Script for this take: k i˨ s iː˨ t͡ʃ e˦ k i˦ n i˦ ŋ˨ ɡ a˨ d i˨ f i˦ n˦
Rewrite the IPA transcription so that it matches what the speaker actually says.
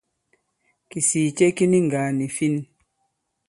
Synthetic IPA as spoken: k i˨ s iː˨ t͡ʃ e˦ k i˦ n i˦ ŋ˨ ɡ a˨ n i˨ f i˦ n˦